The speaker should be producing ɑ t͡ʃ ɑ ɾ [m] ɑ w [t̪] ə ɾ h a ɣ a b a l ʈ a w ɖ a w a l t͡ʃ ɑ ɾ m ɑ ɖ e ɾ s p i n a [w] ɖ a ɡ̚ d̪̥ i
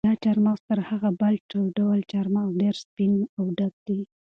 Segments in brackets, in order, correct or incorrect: correct, correct, correct

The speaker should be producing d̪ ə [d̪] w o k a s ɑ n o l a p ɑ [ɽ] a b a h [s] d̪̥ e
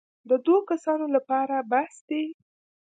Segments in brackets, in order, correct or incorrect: correct, incorrect, correct

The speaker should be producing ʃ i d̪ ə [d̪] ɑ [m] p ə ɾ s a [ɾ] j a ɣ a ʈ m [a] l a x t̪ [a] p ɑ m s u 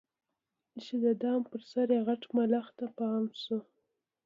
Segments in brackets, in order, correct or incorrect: correct, correct, correct, correct, correct

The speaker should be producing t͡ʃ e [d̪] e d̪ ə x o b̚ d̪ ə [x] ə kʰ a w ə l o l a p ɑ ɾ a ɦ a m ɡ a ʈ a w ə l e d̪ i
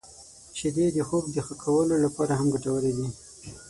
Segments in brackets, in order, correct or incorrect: correct, correct

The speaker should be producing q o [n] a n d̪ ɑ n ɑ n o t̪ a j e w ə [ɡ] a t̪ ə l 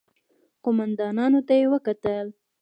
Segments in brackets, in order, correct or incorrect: incorrect, incorrect

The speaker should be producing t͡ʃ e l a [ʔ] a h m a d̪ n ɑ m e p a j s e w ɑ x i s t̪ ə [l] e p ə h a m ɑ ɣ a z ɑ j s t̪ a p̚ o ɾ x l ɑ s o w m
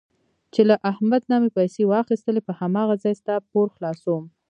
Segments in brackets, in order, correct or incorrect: correct, correct

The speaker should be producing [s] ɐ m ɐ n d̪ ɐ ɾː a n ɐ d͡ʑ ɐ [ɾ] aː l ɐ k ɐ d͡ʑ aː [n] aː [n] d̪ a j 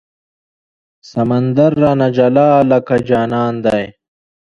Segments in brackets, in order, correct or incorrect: correct, incorrect, correct, correct

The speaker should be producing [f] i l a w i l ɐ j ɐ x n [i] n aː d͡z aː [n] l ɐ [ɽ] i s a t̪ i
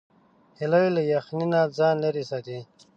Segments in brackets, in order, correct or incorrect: incorrect, correct, correct, incorrect

